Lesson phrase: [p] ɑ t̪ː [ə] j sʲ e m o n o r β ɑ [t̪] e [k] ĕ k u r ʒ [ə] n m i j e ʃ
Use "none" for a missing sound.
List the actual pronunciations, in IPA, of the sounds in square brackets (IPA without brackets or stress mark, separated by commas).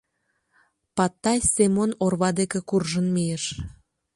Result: p, ɑ, d̪, k, ə